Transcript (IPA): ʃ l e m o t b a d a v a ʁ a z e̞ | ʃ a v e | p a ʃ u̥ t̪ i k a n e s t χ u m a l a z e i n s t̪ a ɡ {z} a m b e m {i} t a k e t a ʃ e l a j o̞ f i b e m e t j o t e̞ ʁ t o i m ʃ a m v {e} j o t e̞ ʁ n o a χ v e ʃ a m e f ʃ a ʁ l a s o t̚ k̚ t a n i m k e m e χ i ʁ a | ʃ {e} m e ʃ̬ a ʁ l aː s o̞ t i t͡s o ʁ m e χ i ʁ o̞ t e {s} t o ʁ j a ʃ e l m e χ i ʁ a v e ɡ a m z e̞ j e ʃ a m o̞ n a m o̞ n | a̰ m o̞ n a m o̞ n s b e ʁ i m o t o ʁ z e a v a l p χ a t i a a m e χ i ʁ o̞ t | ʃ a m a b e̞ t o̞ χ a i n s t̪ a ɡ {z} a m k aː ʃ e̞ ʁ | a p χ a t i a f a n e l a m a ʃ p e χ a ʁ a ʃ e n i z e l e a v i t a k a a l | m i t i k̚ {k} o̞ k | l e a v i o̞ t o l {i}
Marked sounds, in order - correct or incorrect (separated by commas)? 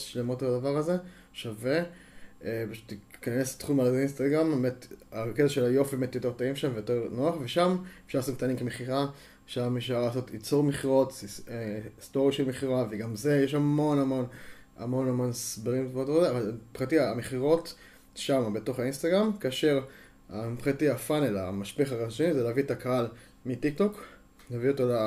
incorrect, incorrect, correct, incorrect, correct, incorrect, incorrect, incorrect